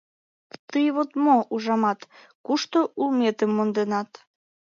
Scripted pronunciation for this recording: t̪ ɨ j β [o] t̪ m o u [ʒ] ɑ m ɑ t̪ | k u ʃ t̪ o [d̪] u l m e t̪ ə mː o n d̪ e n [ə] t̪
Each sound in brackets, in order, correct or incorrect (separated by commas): correct, correct, incorrect, incorrect